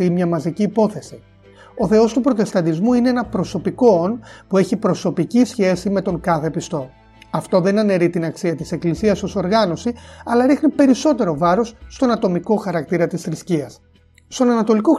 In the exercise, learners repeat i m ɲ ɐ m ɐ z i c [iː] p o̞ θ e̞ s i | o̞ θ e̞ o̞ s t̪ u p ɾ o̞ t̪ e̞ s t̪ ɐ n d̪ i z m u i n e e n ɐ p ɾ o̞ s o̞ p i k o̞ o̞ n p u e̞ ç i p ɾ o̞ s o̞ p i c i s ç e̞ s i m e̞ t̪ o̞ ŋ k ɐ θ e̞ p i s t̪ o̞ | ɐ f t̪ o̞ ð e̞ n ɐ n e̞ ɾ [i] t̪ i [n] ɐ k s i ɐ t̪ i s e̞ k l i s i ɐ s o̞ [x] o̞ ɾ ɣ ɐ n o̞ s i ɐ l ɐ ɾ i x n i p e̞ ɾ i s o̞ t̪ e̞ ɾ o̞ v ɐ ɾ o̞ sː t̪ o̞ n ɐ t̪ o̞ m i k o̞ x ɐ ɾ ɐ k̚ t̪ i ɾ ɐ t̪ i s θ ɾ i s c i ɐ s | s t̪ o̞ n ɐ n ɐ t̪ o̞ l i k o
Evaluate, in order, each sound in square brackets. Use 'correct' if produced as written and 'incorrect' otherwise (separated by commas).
correct, correct, correct, incorrect